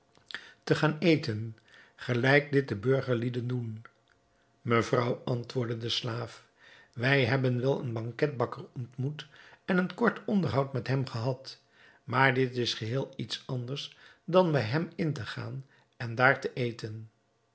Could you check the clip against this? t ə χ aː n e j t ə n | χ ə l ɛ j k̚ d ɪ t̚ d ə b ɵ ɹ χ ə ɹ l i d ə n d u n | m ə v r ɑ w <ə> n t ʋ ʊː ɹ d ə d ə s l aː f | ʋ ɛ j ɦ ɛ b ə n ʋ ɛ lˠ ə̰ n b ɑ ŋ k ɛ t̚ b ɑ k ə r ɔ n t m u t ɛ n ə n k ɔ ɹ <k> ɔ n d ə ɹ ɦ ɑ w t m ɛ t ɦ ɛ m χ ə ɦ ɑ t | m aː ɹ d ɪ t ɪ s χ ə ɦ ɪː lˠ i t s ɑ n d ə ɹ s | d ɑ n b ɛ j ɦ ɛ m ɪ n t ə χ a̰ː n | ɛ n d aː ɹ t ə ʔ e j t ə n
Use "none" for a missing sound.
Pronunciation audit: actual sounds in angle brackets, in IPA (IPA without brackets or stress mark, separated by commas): ɑ, t